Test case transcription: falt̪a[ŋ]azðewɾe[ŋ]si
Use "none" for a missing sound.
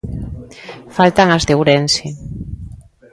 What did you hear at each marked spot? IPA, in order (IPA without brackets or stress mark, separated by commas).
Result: ŋ, n